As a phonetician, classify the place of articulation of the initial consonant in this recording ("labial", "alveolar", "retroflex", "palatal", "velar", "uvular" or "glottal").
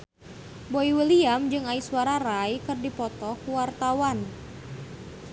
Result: labial